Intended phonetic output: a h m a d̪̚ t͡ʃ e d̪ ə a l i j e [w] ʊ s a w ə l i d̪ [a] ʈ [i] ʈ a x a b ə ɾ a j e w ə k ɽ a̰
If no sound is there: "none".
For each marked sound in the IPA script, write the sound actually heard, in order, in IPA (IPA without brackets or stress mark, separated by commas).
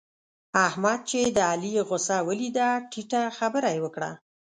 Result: ɣ, a, i